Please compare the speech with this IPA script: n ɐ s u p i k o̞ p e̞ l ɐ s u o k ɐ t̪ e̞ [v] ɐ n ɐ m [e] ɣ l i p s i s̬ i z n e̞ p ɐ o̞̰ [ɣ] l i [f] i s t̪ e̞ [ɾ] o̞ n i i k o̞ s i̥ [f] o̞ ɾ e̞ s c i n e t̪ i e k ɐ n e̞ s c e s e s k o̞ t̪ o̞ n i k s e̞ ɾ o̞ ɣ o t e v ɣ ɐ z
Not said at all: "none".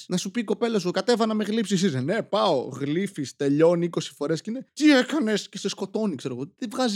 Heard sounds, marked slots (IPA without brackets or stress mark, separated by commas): v, e, ɣ, f, ʎ, f